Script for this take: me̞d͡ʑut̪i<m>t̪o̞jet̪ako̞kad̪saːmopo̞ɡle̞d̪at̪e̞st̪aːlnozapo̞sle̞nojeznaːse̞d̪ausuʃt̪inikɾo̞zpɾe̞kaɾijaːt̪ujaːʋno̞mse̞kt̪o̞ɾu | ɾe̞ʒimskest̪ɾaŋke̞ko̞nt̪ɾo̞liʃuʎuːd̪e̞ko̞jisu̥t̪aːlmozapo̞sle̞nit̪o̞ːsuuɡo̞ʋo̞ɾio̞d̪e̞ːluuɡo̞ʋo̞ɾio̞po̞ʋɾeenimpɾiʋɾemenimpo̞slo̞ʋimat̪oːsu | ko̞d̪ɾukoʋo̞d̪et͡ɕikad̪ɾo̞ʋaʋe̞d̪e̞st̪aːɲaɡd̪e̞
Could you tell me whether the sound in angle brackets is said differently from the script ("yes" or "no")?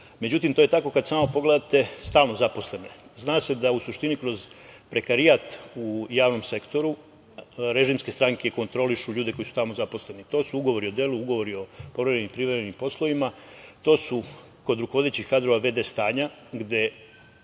no